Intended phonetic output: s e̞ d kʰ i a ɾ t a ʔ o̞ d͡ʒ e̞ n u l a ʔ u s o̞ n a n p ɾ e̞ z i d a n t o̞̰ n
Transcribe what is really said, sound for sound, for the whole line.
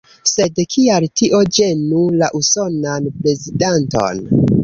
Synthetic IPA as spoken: s e̞ d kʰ i a l t i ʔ o̞ d͡ʒ e̞ n u l a ʔ u s o̞ n a n p ɾ e̞ z i d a n t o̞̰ n

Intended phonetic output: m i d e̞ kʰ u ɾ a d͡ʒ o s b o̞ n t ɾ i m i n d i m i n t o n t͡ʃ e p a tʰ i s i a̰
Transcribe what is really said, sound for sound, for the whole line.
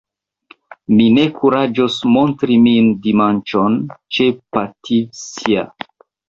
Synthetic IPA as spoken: m i n e̞ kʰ u ɾ a d͡ʒ o s m o̞ n t ɾ i m i n d i m a n t͡ʃ o n t͡ʃ e p a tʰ i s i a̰

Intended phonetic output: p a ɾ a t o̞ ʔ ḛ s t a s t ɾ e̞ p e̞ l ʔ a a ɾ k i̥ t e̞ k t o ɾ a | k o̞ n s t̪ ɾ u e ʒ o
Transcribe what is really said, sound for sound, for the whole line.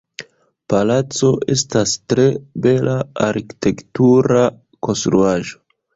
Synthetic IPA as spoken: p a l a t͡s o̞ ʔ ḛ s t a s t ɾ e̞ b e̞ l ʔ a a ɾ k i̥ t e̞ k t u ɾ a | k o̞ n s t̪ ɾ u a ʒ o

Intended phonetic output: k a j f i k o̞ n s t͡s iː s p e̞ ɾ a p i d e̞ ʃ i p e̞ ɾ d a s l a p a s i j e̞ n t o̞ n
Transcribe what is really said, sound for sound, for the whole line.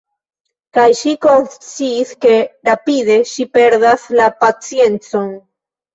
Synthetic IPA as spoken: k a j ʃ i k o̞ n s t͡s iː s k e̞ ɾ a p i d e̞ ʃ i p e̞ ɾ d a s l a p a t͡s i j e̞ n t͡s o̞ n

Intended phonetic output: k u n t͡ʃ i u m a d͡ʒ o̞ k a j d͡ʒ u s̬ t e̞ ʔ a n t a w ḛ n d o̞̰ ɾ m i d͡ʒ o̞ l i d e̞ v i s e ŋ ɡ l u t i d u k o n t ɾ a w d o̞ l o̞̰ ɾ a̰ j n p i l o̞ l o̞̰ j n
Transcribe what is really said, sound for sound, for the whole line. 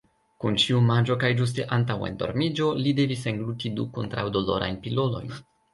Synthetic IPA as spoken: k u n t͡ʃ i u m a d͡ʒ o̞ k a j d͡ʒ u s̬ t e̞ ʔ a n t a w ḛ n d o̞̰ ɾ m i d͡ʒ o̞ l i d e̞ v i s e ŋ ɡ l u t i d u k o n t ɾ a w d o̞ l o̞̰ ɾ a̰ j n p i l o̞ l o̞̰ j n

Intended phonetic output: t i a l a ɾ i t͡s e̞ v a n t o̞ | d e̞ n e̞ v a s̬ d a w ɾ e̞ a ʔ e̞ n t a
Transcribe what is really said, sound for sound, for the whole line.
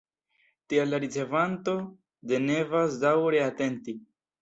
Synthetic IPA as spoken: t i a l a ɾ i t͡s e̞ v a n t o̞ | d e̞ n e̞ v a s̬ d a w ɾ e̞ a t e̞ n t i

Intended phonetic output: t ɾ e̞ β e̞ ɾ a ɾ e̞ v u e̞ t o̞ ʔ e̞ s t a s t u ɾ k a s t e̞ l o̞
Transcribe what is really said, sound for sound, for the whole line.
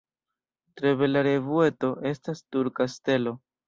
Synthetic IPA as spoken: t ɾ e̞ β e̞ l a ɾ e̞ v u e̞ t o̞ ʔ e̞ s t a s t u ɾ k a s t e̞ l o̞

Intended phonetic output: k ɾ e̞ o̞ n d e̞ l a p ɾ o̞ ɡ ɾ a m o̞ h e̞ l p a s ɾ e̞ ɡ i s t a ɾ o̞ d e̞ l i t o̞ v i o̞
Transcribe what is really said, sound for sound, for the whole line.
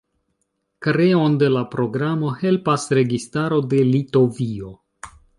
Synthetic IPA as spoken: k ɾ e̞ o̞ n d e̞ l a p ɾ o̞ ɡ ɾ a m o̞ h e̞ l p a s ɾ e̞ ɡ i s t a ɾ o̞ d e̞ l i t o̞ v i o̞

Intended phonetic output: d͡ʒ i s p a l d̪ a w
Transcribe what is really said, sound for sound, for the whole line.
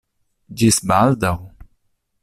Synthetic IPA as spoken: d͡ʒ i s b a l d̪ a w

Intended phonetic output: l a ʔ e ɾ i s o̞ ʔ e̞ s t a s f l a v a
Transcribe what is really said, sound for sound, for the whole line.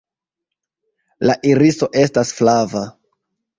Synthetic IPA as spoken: l a ʔ i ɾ i s o̞ ʔ e̞ s t a s f l a v a

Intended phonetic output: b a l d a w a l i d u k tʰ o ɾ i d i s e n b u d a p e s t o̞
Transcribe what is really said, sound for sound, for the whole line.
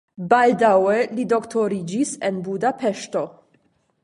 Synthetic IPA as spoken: b a l d a w e l i d o k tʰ o ɾ i d͡ʒ i s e n b u d a p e ʃ t o̞

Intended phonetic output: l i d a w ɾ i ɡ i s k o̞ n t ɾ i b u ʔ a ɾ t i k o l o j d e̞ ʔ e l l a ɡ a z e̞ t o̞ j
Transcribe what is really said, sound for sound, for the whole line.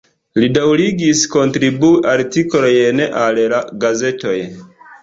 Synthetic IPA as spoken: l i d a w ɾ i ɡ i s k o̞ n t ɾ i b u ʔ a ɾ t i k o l o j n e̞ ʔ a l l a ɡ a z e̞ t o̞ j

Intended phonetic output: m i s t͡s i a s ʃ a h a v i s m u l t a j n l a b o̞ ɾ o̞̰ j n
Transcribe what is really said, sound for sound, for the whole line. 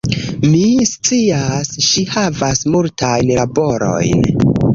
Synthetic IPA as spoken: m i s t͡s i a s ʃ i h a v a s m u l t a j n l a b o̞ ɾ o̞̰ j n

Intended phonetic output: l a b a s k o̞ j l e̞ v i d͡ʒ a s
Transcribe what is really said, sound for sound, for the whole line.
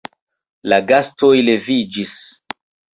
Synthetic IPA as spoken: l a ɡ a s t o̞ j l e̞ v i d͡ʒ i s

